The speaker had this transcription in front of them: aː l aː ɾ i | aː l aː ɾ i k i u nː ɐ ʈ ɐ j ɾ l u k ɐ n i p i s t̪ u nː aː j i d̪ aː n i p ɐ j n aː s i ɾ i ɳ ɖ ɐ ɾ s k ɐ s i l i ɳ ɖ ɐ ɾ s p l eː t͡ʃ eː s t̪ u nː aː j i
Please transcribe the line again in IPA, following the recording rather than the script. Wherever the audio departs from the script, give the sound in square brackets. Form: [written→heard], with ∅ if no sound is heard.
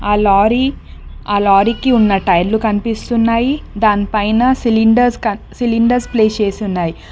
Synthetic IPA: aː l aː ɾ i | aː l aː ɾ i k i u nː ɐ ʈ ɐ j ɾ l u k ɐ n i p i s t̪ u nː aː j i d̪ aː n i p ɐ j n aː s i [ɾ→l] i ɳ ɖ ɐ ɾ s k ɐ s i l i ɳ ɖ ɐ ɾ s p l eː t͡ʃ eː s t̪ u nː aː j i

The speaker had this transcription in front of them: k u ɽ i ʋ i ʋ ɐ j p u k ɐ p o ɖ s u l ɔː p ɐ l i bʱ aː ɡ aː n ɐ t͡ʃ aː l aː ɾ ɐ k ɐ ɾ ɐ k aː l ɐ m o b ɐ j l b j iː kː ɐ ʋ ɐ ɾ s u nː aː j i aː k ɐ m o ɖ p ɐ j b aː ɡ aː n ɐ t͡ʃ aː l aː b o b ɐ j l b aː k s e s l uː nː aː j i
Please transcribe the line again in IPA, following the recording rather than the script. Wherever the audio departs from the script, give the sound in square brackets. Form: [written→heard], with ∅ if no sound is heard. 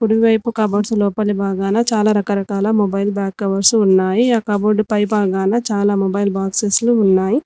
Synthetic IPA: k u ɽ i ʋ i ʋ ɐ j p u k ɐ [p→b] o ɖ s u l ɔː p ɐ l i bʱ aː ɡ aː n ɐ t͡ʃ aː l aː ɾ ɐ k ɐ ɾ ɐ k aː l ɐ m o b ɐ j l b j [iː→aː] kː ɐ ʋ ɐ ɾ s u nː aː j i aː k ɐ [m→b] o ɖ p ɐ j b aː ɡ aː n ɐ t͡ʃ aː l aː [b→m] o b ɐ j l b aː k s e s l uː nː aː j i

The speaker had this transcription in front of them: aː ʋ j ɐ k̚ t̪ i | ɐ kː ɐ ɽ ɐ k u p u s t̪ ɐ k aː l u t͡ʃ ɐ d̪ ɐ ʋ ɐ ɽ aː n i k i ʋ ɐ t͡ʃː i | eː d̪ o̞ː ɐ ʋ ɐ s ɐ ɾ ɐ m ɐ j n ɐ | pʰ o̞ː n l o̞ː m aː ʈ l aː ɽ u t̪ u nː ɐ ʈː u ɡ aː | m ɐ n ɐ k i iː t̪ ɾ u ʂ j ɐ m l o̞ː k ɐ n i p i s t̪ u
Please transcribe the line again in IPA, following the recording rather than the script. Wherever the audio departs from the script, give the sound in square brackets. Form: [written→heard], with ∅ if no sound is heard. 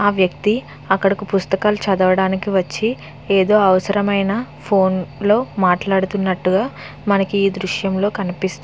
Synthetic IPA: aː ʋ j ɐ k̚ t̪ i | ɐ kː ɐ ɽ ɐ k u p u s t̪ ɐ k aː l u t͡ʃ ɐ d̪ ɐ ʋ ɐ ɽ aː n i k i ʋ ɐ t͡ʃː i | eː d̪ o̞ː ɐ ʋ ɐ s ɐ ɾ ɐ m ɐ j n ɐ | pʰ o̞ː n l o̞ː m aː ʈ l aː ɽ u t̪ u nː ɐ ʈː u ɡ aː | m ɐ n ɐ k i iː [t̪→d̪] ɾ u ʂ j ɐ m l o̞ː k ɐ n i p i s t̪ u

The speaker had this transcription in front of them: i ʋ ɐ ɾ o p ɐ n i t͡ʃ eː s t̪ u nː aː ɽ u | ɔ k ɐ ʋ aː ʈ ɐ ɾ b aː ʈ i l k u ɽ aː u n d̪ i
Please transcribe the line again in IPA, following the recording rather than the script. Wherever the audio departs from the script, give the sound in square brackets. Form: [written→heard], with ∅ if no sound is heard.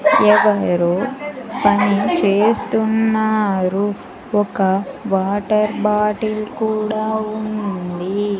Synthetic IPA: [i→ɛ] ʋ ɐ ɾ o p ɐ n i t͡ʃ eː s t̪ u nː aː [ɽ→ɾ] u | ɔ k ɐ ʋ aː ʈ ɐ ɾ b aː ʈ i l k [u→uː] ɽ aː u n d̪ i

